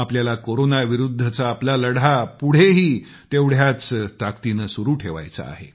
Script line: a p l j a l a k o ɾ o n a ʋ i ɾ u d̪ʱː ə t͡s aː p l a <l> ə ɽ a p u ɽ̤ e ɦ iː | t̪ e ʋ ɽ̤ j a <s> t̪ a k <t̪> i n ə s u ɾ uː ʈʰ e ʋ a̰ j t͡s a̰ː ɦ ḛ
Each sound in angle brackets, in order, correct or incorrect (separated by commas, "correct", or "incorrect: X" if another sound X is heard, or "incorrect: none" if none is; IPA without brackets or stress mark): correct, incorrect: t͡s, correct